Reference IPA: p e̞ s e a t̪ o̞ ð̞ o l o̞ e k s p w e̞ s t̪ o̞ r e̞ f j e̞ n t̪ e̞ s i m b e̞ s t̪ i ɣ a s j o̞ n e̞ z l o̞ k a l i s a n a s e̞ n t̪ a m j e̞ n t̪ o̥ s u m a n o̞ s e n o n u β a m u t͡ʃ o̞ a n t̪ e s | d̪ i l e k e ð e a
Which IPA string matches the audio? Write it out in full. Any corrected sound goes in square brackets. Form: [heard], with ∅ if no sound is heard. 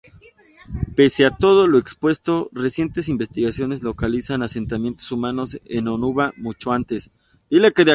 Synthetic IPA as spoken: p e̞ s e a t̪ o̞ ð̞ o l o̞ e k s p w e̞ s t̪ o̞ r e̞ [s] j e̞ n t̪ e̞ s i m b e̞ s t̪ i ɣ a s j o̞ n e̞ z l o̞ k a l i s a n a s e̞ n t̪ a m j e̞ n t̪ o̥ s u m a n o̞ s e n o n u β a m u t͡ʃ o̞ a n t̪ e s | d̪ i l e k e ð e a